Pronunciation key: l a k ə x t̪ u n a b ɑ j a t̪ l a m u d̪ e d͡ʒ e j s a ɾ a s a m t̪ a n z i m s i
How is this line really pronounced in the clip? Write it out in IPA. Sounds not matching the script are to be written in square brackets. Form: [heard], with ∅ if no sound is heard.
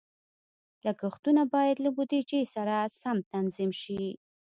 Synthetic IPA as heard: l a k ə x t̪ u n a b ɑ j a [d̪] l a [b] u d̪ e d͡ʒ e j s a ɾ a s a m t̪ a n z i m [ʃ] i